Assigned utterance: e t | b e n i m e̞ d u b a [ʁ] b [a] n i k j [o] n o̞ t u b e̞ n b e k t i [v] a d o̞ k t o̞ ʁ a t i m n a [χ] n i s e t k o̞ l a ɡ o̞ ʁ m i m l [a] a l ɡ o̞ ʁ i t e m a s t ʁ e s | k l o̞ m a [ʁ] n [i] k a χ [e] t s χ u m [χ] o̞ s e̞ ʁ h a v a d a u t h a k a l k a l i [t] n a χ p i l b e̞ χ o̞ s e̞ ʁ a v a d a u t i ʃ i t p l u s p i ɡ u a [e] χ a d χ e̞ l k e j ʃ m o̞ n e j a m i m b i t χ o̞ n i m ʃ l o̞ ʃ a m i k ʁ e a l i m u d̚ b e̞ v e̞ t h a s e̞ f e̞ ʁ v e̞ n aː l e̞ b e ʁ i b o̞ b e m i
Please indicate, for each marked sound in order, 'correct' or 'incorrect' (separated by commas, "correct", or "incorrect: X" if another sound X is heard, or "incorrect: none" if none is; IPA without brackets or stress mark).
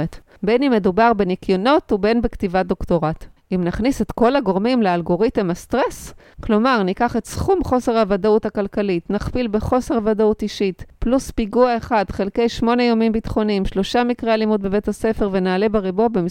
correct, incorrect: e, correct, correct, correct, incorrect: e, correct, correct, correct, correct, correct, correct